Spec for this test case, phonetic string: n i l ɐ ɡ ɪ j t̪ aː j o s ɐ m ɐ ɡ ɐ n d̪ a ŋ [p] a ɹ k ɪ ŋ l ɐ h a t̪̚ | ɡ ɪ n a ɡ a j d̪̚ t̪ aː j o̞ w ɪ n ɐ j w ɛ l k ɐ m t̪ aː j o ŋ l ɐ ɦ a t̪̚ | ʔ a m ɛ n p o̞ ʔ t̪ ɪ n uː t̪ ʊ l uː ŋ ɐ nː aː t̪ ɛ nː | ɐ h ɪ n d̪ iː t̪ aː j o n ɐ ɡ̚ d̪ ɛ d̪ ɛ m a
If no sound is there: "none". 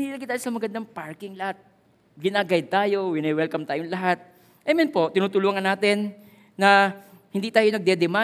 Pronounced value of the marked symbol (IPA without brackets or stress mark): p